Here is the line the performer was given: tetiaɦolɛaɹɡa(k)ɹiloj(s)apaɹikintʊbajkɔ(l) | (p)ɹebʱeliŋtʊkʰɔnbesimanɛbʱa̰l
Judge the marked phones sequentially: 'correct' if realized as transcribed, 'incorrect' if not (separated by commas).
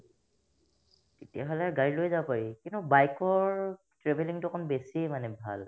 incorrect, incorrect, incorrect, incorrect